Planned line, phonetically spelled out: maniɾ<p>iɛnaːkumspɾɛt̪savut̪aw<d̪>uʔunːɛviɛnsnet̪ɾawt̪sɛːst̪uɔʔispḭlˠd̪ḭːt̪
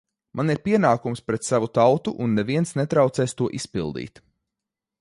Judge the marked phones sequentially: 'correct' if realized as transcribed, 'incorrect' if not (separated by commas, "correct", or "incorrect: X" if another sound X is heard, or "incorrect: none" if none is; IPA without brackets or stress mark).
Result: correct, incorrect: t̪